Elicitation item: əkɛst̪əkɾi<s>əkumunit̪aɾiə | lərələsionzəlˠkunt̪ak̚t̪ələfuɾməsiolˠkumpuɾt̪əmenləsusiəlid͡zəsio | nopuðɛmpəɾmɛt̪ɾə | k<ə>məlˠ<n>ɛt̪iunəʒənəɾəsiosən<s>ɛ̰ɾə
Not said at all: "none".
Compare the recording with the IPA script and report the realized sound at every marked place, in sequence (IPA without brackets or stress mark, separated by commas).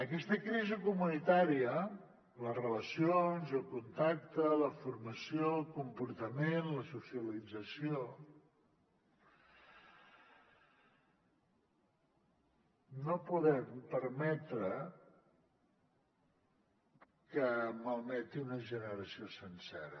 z, ə, m, s